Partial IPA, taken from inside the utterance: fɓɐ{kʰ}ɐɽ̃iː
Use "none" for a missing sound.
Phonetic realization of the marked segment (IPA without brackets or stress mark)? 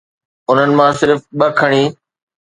kʰ